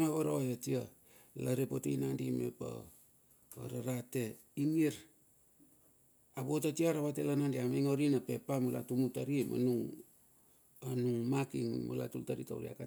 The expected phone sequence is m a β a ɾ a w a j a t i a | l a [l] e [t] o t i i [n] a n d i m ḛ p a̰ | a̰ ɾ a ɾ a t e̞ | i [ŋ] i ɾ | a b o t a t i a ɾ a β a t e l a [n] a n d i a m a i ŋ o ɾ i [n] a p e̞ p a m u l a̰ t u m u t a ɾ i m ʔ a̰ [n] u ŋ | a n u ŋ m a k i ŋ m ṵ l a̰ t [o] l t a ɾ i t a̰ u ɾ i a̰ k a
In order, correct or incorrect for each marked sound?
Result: incorrect, incorrect, correct, correct, correct, correct, correct, incorrect

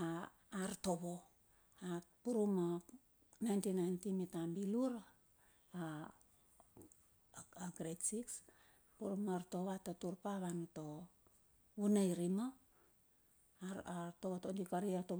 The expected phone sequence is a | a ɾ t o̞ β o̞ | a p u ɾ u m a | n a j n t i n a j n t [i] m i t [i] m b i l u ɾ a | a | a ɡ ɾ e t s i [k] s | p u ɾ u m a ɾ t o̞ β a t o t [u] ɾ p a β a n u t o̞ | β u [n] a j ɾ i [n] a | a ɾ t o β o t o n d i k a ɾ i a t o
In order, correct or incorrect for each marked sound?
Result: correct, incorrect, correct, correct, correct, incorrect

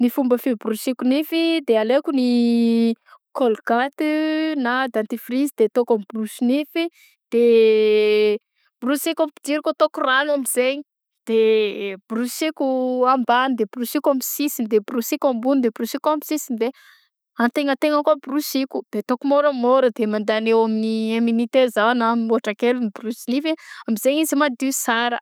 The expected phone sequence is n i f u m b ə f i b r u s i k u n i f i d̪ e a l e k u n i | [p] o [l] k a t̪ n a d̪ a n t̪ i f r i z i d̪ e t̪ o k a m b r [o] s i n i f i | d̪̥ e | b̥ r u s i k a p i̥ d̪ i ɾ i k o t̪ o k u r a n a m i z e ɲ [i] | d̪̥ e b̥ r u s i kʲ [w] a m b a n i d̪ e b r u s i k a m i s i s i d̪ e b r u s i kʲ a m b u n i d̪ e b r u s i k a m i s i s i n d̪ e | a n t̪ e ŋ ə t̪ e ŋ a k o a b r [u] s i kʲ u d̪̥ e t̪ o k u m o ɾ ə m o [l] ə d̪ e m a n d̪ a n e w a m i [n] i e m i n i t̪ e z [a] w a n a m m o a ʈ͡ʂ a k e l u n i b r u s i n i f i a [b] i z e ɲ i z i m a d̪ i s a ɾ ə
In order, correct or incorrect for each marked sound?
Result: incorrect, correct, incorrect, correct, incorrect, correct, incorrect, correct, correct, incorrect

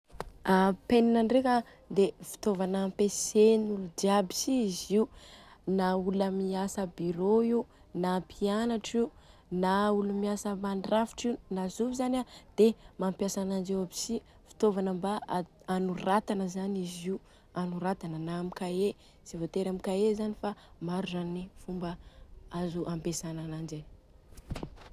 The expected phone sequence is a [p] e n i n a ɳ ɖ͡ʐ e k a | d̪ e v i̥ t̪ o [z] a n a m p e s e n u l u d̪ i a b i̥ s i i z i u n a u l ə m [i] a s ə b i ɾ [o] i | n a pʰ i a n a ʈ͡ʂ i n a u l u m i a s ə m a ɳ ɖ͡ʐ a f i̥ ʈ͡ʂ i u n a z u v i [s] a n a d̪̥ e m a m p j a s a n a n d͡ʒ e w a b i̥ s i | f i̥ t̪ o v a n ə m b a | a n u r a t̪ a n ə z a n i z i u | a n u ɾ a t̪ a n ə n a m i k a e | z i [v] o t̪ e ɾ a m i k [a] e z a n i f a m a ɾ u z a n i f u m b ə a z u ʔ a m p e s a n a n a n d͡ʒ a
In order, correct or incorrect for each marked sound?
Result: correct, incorrect, correct, correct, incorrect, correct, correct

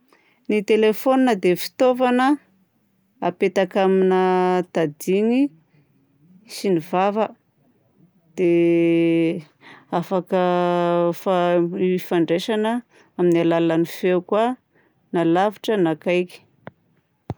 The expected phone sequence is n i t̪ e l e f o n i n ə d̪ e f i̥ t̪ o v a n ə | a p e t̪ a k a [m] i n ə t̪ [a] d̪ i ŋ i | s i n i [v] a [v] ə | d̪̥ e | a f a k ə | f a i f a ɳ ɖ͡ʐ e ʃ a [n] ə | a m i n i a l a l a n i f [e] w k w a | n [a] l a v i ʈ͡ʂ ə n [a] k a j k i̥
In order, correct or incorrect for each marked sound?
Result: correct, correct, correct, correct, correct, correct, correct, correct

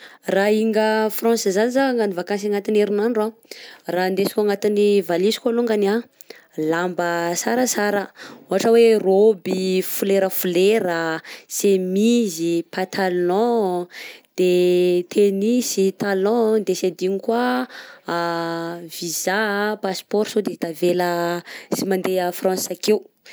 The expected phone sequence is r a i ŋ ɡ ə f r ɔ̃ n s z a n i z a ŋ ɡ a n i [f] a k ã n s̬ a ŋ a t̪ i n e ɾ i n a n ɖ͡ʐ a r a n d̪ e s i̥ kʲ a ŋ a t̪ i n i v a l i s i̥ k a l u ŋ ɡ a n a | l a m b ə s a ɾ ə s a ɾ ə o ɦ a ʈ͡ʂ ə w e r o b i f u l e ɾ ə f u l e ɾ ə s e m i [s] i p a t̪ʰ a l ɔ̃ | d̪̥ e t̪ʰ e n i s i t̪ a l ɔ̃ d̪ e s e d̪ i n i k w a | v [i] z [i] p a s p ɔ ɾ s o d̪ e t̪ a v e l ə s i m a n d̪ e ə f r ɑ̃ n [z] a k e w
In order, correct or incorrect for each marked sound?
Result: incorrect, incorrect, correct, incorrect, incorrect

